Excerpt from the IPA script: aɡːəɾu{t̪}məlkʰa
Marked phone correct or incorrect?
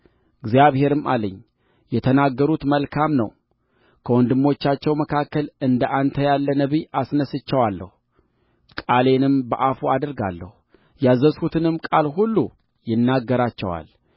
correct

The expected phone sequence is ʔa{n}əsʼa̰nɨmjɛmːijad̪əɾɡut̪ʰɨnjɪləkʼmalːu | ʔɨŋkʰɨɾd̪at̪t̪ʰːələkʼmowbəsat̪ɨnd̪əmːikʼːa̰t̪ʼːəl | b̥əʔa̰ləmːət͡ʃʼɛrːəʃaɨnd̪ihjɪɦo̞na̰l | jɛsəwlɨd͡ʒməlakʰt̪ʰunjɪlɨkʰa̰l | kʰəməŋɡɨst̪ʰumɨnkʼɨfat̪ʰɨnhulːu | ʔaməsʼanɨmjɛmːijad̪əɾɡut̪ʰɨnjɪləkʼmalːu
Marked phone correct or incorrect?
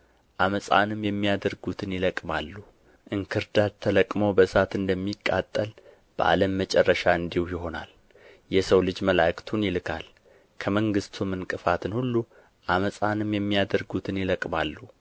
incorrect: m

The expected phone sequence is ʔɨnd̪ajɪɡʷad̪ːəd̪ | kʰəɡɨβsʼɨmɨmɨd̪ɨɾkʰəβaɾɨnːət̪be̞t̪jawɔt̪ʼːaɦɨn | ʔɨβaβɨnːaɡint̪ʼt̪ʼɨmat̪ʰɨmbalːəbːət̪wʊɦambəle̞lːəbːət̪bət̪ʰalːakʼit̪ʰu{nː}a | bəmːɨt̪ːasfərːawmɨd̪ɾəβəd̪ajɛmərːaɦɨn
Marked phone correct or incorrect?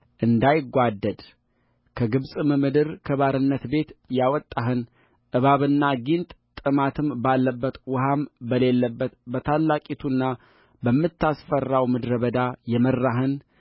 correct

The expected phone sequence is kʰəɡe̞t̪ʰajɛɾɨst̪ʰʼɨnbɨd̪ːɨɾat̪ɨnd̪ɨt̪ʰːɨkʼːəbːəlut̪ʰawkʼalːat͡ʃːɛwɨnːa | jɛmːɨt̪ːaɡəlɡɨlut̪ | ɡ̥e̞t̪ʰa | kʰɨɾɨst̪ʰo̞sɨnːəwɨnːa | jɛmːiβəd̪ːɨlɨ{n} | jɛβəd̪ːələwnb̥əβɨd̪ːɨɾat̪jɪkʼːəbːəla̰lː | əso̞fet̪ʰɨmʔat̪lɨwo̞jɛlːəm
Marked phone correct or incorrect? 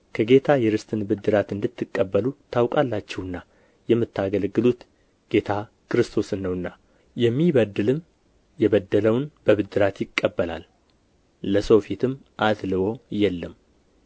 incorrect: m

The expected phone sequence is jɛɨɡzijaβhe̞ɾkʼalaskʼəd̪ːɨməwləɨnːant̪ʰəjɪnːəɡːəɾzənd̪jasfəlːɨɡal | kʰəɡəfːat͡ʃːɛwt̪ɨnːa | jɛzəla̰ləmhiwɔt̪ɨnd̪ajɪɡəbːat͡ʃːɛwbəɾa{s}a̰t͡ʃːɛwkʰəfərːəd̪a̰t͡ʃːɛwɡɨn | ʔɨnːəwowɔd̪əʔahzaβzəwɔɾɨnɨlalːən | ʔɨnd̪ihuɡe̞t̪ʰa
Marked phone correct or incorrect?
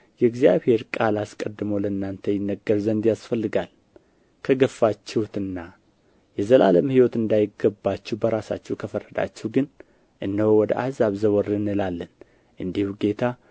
correct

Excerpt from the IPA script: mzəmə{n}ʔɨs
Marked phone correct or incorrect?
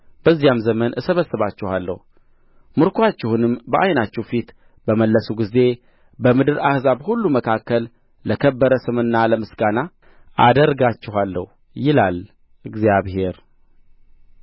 correct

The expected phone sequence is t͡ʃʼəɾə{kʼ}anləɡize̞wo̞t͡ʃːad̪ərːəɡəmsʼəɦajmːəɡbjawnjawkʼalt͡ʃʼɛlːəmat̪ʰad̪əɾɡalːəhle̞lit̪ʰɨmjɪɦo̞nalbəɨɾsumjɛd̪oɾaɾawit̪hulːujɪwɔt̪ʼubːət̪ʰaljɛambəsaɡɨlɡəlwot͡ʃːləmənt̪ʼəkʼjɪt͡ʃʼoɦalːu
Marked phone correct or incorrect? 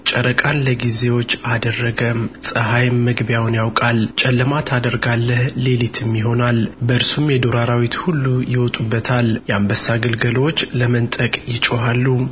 correct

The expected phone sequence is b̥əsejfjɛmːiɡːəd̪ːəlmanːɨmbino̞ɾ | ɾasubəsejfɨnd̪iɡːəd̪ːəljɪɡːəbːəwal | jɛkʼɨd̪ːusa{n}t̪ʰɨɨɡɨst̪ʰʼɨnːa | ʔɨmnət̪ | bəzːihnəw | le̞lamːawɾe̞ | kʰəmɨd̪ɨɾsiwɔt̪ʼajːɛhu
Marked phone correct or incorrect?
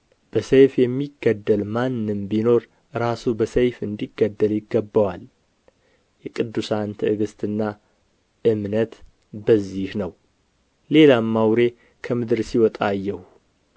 correct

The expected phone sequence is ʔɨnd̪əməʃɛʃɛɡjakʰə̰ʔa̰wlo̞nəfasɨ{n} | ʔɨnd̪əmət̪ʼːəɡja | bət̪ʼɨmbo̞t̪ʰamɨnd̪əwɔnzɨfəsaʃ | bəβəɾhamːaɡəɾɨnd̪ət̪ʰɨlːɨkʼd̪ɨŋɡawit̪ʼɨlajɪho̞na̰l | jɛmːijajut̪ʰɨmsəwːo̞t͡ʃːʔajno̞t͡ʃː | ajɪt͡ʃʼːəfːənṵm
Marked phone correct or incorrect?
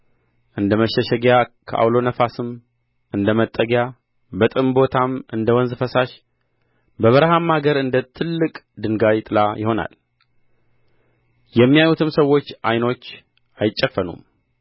incorrect: m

